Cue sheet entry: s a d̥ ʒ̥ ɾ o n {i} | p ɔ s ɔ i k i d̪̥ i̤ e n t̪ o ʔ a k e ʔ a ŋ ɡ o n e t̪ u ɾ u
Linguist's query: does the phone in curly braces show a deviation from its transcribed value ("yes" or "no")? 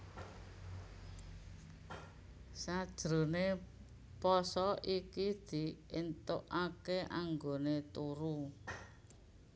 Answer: yes